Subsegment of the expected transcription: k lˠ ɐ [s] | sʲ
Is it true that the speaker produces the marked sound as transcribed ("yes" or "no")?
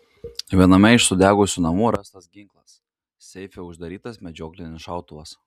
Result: yes